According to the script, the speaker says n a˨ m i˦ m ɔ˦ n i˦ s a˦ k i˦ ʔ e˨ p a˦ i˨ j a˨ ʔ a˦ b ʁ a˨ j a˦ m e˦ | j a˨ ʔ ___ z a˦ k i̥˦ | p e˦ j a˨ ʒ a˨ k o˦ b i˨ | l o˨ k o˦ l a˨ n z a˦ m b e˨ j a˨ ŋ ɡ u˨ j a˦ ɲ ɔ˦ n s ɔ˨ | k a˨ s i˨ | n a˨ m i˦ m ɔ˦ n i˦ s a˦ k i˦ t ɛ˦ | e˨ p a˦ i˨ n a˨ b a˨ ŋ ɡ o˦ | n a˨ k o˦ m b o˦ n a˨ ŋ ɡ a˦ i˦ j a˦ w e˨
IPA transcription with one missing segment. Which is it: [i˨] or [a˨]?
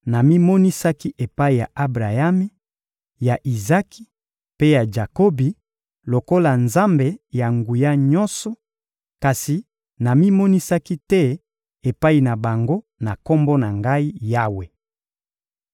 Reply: i˨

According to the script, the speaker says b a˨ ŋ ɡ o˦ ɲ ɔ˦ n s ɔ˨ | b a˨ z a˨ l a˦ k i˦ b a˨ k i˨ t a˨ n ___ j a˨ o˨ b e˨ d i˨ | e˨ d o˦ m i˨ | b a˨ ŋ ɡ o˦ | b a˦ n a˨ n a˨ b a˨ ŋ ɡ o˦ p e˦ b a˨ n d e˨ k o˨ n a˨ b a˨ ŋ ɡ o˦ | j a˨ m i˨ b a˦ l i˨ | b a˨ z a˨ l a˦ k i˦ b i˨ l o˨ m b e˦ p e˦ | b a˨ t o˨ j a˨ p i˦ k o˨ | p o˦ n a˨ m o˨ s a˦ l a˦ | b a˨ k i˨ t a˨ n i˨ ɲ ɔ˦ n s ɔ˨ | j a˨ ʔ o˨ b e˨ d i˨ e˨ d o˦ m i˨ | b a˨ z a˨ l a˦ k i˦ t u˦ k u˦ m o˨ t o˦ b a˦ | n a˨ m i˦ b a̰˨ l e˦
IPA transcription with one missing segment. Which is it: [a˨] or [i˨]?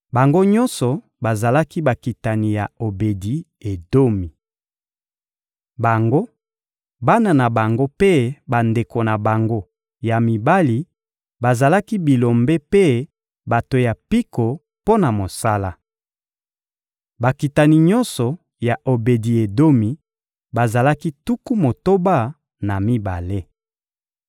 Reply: i˨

